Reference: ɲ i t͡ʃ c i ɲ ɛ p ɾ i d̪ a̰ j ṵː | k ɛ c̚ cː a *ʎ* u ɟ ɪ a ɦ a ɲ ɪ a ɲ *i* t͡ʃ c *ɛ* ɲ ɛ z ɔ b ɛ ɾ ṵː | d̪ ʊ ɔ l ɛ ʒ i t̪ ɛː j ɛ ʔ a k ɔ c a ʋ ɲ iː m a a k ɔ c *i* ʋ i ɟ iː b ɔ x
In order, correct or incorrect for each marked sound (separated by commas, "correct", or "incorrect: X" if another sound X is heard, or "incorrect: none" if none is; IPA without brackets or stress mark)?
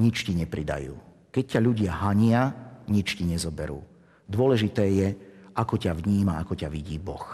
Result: correct, correct, incorrect: i, incorrect: a